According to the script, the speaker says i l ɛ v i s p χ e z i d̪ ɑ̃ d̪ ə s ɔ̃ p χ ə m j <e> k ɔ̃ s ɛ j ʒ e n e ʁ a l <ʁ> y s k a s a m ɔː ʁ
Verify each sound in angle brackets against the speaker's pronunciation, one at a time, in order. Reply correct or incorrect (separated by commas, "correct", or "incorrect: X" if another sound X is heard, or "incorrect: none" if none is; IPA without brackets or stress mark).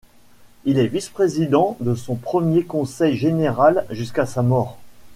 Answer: correct, incorrect: ʒ